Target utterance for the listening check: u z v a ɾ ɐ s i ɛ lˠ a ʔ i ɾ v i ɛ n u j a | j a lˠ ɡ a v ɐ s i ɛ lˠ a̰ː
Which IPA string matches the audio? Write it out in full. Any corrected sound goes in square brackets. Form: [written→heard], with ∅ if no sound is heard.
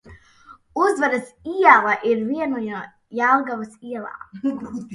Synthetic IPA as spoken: u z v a ɾ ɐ s i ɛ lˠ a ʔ i ɾ v i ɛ n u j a | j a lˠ ɡ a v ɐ s i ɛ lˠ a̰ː